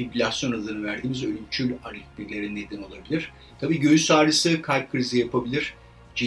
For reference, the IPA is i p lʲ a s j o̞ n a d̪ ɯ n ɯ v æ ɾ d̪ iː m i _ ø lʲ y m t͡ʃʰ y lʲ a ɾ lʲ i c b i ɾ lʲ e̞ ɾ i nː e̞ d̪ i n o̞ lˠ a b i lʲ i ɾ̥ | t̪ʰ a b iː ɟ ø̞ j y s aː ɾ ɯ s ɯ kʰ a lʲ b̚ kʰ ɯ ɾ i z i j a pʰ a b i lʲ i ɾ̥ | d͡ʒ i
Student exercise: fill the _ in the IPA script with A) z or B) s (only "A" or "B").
A